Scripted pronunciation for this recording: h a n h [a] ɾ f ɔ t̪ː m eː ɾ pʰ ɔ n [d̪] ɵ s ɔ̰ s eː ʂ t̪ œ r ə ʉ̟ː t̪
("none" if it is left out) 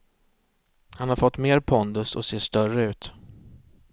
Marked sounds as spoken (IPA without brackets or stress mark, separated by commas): a, d̪